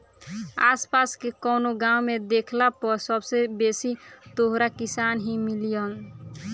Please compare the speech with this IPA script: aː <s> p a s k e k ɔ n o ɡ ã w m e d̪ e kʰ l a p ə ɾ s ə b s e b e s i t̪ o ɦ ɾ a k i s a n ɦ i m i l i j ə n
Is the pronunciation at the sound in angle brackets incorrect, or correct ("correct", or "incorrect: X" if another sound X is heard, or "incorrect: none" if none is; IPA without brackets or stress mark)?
correct